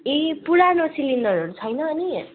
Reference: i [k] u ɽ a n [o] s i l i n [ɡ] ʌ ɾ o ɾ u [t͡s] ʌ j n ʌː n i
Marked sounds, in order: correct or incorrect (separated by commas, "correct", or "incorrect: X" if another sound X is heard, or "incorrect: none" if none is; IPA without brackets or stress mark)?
incorrect: p, correct, incorrect: d, incorrect: t͡sʰ